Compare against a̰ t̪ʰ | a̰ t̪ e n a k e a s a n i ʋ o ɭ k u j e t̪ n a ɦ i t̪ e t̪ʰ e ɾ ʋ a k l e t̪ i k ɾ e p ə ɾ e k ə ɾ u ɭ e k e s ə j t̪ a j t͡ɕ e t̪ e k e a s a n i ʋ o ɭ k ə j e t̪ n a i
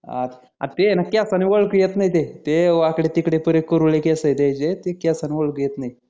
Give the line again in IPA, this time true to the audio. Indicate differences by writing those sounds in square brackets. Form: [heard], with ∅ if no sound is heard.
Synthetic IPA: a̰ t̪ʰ | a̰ t̪ e n a k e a s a n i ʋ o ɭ k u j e t̪ n a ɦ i t̪ e [t̪] e [∅] ʋ a k [ɽ] e t̪ i k [ɽ] e p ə ɾ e k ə ɾ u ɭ e k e s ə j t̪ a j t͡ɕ e t̪ e k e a s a n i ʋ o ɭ k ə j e t̪ n a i